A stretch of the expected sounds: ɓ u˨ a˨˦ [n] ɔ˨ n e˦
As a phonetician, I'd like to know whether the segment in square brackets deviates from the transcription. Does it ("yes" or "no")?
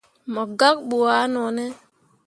no